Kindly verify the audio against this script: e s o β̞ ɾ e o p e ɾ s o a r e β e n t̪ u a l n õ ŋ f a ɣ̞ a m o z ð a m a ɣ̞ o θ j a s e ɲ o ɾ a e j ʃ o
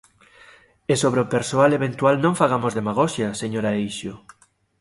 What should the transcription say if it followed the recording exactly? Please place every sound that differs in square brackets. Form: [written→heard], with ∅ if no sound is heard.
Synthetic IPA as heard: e s o β̞ ɾ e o p e ɾ s o a [r→l] e β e n t̪ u a l n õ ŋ f a ɣ̞ a m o z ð [a→e] m a ɣ̞ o [θ→ʃ] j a s e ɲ o ɾ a e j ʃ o